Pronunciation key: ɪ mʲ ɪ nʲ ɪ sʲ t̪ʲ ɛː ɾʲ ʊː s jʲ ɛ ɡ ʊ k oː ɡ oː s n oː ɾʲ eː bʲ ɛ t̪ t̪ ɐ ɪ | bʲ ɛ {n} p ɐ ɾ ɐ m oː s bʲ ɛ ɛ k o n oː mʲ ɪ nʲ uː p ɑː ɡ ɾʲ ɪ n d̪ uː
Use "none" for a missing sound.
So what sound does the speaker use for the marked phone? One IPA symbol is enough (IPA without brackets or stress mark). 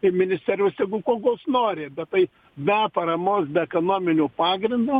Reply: none